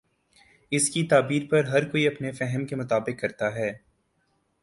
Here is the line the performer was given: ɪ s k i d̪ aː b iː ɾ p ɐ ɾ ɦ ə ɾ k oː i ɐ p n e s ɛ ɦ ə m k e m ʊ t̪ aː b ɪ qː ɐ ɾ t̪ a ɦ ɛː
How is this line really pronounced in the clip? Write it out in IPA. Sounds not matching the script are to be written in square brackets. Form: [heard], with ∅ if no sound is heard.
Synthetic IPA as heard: ɪ s k i [t̪] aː b iː ɾ p ɐ ɾ ɦ [ɐ] ɾ k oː i ɐ p n e [f] ɛ ɦ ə m k e m ʊ t̪ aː b ɪ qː ɐ ɾ t̪ a ɦ ɛː